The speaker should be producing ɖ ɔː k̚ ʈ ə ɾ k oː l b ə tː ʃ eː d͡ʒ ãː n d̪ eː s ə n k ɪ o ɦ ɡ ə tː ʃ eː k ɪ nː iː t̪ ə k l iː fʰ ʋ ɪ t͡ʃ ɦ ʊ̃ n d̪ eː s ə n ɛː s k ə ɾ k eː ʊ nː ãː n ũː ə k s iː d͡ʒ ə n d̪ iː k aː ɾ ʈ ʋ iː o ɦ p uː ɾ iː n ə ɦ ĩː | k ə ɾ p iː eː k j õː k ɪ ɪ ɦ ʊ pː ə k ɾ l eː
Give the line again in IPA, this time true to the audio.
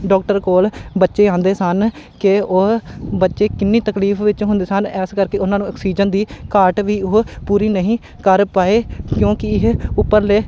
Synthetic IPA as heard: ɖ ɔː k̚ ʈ ə ɾ k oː l b ə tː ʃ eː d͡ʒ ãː n d̪ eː s ə n k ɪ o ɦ b ə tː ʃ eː k ɪ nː iː t̪ ə k l iː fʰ ʋ ɪ t͡ʃ ɦ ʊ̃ n d̪ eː s ə n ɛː s k ə ɾ k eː ʊ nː ãː n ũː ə k s iː d͡ʒ ə n d̪ iː k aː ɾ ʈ ʋ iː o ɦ p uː ɾ iː n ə ɦ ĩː | k ə ɾ p aː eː k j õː k ɪ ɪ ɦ ʊ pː ə ɾ l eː